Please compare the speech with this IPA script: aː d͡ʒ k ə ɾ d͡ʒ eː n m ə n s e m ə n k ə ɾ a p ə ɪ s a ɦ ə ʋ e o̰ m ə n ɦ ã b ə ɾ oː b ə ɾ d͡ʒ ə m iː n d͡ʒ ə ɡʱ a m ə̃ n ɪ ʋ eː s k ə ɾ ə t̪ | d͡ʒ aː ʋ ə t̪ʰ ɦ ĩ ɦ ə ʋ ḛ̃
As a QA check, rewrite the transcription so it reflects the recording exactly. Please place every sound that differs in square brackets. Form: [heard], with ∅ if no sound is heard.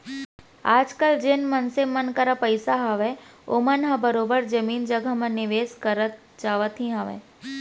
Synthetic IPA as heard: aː d͡ʒ k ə [l] d͡ʒ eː n m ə n s e m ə n k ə ɾ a p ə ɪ s a ɦ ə ʋ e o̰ m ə n ɦ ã b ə ɾ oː b ə ɾ d͡ʒ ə m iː n d͡ʒ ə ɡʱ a m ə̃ n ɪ ʋ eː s k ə ɾ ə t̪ | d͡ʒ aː ʋ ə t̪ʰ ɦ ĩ ɦ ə ʋ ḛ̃